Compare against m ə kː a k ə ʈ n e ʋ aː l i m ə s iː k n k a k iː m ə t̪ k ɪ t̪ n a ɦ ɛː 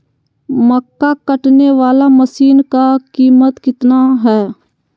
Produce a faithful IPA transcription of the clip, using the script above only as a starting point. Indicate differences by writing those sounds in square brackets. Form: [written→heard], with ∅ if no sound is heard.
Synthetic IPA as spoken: m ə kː a k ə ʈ n e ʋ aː l [i→a] m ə s iː [k→∅] n k a k iː m ə t̪ k ɪ t̪ n a ɦ ɛː